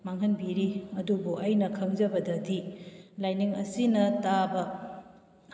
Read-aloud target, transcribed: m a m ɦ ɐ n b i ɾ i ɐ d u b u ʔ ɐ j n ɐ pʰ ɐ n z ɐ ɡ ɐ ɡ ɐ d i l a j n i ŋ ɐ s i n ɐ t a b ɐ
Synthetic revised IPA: m a ŋ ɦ ɐ n b i ɾ i ɐ d u b u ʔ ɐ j n ɐ kʰ ɐ ŋ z ɐ b ɐ d ɐ d i l a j n i ŋ ɐ s i n ɐ t a b ɐ